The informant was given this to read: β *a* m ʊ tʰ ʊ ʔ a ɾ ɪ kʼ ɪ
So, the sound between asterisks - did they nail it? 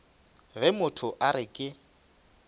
no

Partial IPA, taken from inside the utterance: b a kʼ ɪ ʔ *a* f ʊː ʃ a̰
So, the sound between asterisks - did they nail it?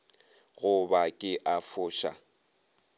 yes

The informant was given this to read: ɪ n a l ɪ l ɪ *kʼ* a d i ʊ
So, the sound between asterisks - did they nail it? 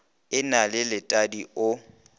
no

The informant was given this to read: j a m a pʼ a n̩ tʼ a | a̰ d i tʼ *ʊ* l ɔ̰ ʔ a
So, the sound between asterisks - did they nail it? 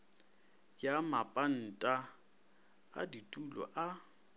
no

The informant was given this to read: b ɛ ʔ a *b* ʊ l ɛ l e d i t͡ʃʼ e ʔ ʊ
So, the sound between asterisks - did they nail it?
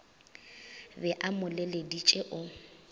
no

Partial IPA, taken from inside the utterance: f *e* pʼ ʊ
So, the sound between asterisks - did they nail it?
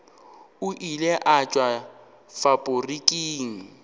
no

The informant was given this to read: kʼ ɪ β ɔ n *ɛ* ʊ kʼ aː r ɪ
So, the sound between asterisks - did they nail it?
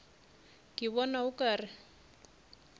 no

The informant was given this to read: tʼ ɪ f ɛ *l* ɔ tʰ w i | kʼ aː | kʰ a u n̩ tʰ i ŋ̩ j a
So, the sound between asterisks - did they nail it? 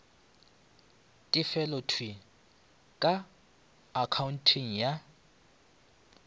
yes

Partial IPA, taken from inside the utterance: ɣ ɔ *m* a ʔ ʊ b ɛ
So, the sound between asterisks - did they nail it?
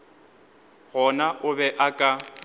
no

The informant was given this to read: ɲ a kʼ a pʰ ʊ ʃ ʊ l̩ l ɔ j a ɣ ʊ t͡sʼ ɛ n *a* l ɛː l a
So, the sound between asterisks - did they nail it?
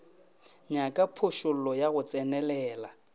no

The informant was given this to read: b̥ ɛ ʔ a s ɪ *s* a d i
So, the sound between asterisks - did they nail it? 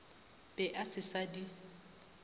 yes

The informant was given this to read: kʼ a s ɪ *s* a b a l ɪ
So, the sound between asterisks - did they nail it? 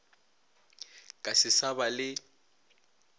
yes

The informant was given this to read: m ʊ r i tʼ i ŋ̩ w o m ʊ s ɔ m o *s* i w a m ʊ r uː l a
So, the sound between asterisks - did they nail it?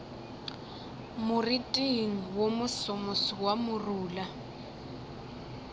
yes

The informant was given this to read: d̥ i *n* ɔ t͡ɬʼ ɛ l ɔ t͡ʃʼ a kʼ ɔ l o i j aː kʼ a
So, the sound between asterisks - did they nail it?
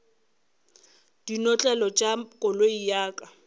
yes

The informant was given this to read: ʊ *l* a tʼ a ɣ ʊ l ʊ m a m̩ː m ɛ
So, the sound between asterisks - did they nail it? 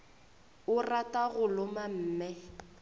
no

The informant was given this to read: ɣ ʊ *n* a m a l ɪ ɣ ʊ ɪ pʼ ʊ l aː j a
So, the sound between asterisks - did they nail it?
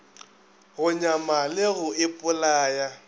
no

